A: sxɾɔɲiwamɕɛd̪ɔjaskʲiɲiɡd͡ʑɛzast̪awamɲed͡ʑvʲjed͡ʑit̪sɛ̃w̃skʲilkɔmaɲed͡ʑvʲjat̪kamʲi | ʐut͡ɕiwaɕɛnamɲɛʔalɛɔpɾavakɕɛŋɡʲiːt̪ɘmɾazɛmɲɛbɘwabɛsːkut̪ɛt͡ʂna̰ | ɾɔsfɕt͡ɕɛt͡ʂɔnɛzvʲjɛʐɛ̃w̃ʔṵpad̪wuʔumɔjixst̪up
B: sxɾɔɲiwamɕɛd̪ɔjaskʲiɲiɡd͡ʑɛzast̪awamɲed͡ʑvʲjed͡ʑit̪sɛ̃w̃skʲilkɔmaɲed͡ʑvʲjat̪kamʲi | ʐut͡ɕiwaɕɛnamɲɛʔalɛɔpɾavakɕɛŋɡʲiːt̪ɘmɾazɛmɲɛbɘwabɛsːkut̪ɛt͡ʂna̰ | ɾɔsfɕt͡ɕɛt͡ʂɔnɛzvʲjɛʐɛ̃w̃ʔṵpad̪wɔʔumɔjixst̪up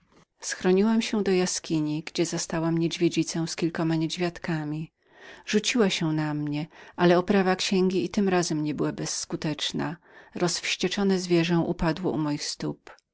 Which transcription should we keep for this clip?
B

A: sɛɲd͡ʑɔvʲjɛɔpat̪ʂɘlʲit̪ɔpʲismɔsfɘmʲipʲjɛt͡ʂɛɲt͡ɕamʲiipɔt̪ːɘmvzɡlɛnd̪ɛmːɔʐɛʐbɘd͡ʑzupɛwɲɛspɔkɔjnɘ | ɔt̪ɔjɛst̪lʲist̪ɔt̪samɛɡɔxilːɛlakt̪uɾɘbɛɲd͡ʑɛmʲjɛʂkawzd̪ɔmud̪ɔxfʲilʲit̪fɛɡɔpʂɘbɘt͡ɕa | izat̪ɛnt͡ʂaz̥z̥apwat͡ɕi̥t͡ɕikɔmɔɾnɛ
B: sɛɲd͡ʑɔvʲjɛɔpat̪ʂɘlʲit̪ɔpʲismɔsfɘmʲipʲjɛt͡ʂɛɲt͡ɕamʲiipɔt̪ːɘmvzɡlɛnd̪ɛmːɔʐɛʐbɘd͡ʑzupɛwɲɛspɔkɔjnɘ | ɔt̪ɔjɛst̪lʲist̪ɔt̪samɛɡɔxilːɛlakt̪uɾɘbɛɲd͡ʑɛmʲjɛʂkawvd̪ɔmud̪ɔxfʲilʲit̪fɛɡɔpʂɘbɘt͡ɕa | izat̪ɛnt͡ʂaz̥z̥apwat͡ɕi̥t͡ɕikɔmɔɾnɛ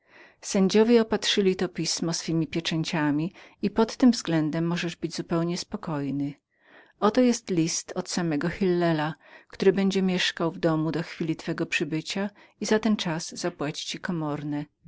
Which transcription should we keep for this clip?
B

